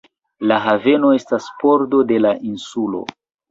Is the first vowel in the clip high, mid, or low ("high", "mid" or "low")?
low